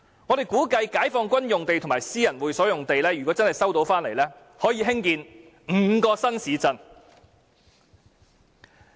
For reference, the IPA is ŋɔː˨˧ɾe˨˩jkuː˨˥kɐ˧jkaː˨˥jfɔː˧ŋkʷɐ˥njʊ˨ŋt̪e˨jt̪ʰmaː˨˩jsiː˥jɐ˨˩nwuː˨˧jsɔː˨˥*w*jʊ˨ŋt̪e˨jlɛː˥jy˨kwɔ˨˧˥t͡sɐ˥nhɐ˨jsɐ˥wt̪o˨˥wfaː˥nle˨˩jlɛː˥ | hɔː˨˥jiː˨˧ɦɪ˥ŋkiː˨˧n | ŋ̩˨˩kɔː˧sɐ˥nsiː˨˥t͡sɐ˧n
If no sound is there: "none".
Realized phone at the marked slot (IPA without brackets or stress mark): none